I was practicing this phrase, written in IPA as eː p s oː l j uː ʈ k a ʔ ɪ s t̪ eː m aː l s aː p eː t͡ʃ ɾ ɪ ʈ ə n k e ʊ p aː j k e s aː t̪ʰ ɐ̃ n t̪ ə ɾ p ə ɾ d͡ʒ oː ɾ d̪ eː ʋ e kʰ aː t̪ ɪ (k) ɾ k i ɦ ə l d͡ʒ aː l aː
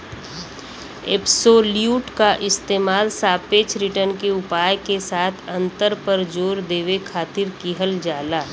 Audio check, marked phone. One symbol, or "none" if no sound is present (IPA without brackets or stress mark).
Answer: none